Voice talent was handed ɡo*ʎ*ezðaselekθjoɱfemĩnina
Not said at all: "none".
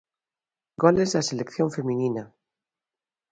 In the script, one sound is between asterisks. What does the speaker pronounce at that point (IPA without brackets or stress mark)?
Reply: l